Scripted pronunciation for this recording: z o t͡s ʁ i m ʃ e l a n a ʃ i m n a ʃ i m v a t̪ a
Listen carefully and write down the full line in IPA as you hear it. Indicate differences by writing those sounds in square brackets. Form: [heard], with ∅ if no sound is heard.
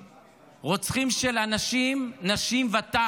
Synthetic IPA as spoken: [ʁ] o t͡s [χ] i m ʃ e l a n a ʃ i m n a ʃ i m v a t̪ a